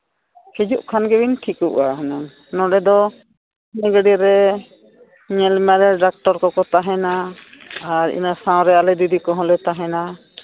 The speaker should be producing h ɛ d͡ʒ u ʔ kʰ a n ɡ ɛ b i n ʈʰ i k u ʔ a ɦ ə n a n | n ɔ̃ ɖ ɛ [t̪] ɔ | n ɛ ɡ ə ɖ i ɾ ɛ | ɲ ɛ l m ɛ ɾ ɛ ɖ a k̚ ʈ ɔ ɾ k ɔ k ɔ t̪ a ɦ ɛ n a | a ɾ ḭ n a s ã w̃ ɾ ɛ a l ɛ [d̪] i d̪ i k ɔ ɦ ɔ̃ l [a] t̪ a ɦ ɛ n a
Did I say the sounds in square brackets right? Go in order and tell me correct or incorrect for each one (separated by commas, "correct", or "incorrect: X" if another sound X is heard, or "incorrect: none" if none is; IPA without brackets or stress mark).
incorrect: d̪, correct, incorrect: ɛ